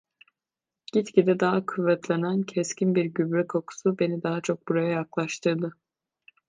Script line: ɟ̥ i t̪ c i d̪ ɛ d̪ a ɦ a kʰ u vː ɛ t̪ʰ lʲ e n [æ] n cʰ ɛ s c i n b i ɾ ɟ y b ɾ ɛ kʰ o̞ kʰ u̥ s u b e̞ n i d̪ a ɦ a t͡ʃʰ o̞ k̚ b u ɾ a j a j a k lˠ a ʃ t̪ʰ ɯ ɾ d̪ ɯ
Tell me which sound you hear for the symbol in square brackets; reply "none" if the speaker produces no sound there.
æ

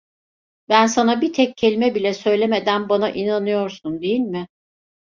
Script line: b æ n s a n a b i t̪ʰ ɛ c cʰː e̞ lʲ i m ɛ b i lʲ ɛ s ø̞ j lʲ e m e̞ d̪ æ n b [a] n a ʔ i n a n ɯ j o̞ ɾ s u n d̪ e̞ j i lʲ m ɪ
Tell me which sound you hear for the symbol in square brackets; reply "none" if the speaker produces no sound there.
a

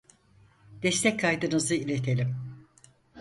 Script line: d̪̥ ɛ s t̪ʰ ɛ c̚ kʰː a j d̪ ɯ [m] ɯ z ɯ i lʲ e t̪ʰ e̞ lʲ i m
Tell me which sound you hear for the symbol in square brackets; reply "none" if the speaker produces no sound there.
n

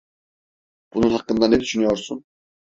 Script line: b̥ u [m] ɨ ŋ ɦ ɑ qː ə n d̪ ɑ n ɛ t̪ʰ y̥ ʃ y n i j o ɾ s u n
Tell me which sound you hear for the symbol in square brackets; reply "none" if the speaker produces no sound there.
n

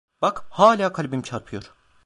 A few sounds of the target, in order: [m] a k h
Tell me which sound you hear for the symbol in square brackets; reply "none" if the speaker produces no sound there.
b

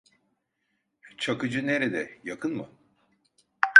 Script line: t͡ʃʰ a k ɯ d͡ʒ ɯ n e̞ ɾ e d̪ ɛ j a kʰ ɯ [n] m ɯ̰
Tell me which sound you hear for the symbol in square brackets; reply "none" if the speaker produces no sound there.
n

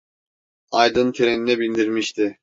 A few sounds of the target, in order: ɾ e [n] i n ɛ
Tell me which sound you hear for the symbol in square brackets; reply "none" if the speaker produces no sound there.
n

